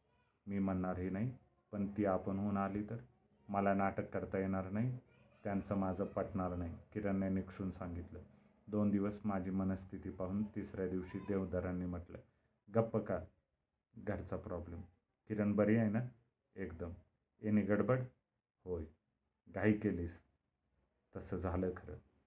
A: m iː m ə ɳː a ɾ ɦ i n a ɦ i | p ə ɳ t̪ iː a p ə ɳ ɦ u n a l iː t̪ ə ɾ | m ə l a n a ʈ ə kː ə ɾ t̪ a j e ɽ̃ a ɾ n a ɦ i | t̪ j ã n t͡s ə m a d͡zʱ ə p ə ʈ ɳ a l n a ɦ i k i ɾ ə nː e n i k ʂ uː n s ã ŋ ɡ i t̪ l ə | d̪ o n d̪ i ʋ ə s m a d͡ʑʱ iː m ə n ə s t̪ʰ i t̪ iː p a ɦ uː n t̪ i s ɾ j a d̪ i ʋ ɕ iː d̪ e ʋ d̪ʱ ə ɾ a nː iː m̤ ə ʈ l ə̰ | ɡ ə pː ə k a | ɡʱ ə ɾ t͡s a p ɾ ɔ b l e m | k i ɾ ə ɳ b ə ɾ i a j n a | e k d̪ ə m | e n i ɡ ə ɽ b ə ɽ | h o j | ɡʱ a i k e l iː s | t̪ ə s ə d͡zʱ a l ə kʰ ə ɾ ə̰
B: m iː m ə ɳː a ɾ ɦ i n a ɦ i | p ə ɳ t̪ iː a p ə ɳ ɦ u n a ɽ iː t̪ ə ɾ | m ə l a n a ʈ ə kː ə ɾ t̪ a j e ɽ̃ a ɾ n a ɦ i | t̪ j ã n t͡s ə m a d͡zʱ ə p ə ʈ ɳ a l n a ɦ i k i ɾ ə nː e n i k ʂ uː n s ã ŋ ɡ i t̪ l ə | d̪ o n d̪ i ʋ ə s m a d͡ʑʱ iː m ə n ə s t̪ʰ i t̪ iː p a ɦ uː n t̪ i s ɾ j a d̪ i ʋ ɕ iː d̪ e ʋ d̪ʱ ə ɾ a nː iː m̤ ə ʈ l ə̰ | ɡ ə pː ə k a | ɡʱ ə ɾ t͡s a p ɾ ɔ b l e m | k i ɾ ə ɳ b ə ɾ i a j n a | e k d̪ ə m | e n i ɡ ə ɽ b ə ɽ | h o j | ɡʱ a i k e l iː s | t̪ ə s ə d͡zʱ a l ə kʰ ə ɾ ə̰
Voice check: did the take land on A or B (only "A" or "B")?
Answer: A